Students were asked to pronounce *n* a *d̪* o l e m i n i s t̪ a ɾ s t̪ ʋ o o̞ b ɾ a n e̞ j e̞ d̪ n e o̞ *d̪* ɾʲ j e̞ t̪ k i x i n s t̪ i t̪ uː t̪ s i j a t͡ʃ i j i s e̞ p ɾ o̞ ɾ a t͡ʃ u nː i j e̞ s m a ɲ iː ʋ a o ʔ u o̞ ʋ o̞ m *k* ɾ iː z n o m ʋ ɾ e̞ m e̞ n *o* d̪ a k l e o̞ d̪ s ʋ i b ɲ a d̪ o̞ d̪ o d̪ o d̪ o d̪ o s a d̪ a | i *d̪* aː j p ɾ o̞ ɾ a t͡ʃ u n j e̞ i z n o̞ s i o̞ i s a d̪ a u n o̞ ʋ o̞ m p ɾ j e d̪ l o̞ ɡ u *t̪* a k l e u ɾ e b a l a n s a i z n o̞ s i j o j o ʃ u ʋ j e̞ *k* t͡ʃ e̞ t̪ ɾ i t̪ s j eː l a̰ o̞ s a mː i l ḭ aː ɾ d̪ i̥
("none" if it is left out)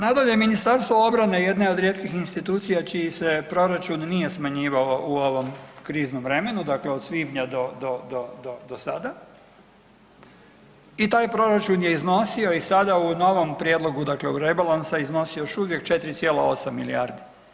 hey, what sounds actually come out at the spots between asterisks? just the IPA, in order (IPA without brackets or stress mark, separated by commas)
n, d̪, d̪, k, u, t̪, d̪, k